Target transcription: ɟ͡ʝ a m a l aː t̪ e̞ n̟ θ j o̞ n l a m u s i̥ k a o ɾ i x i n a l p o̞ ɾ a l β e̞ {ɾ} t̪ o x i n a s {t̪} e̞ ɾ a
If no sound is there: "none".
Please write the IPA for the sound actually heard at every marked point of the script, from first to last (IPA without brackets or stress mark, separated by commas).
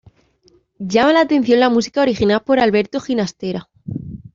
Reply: ɾ, t̪